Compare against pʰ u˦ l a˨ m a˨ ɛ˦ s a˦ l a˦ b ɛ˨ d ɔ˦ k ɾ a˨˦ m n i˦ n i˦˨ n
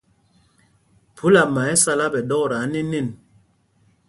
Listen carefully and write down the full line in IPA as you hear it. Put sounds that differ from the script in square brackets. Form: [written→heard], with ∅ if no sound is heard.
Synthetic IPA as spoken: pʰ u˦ l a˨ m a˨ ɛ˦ s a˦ l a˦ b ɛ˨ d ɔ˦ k ɾ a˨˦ [m→∅] n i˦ n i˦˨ n